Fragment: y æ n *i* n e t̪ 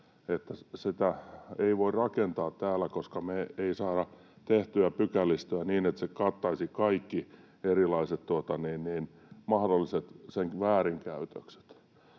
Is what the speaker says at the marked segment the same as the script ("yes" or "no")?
no